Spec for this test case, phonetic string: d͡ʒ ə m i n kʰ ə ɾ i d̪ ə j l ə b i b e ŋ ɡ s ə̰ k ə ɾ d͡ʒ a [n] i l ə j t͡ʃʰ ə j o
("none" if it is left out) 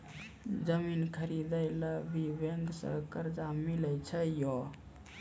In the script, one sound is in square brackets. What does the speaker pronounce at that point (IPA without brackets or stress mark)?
m